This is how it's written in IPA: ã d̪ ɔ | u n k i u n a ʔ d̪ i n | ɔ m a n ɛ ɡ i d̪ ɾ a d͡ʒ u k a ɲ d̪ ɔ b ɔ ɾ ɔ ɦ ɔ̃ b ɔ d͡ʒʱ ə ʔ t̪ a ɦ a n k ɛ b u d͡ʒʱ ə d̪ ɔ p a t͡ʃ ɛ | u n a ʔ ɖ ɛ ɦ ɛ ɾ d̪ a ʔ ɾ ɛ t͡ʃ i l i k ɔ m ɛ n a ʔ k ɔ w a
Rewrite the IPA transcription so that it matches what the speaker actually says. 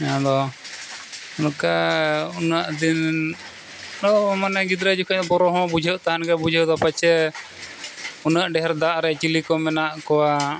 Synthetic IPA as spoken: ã d̪ ɔ | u n k a u n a ʔ d̪ i n | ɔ m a n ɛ ɡ i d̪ ɾ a d͡ʒ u k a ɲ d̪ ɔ b ɔ ɾ ɔ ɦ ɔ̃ b u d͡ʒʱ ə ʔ t̪ a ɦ a n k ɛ b u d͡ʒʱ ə d̪ ɔ p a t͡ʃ ɛ | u n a ʔ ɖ ɛ ɦ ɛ ɾ d̪ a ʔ ɾ ɛ t͡ʃ i l i k ɔ m ɛ n a ʔ k ɔ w a